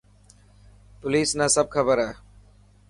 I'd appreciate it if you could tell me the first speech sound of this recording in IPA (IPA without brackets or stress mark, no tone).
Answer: p